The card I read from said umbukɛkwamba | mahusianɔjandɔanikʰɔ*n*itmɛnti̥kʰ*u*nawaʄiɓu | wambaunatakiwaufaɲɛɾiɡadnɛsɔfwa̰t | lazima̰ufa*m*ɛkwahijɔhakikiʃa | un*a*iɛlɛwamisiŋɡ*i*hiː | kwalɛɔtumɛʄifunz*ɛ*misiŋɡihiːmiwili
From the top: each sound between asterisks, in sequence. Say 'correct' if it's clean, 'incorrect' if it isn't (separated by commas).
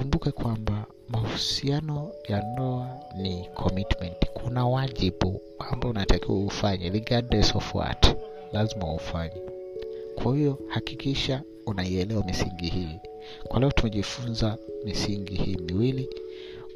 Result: incorrect, correct, incorrect, correct, correct, incorrect